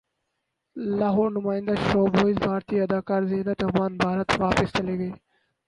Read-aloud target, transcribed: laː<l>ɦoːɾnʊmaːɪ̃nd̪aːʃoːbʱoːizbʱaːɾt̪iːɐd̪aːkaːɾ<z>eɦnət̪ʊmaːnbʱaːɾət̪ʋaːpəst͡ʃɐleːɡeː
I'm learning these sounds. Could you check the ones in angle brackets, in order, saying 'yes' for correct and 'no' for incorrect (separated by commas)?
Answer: no, yes